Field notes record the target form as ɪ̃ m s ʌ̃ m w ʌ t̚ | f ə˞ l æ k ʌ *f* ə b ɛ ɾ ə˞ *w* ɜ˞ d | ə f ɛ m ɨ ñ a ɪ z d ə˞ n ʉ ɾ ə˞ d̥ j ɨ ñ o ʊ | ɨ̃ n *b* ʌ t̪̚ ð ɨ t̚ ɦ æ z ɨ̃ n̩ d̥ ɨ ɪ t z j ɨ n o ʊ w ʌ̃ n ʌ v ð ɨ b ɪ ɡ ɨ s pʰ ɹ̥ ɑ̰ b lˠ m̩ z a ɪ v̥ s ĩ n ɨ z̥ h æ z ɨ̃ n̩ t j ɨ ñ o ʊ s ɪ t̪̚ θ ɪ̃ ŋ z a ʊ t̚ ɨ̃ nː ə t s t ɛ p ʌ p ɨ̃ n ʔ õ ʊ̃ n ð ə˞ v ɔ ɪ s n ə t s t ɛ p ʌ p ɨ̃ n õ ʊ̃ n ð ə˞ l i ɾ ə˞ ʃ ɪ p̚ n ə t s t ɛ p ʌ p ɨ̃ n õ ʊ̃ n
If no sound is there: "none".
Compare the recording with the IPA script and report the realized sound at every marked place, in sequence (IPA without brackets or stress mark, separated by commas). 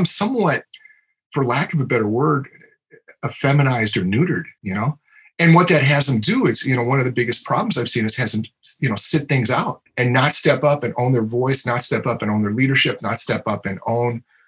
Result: v, w, w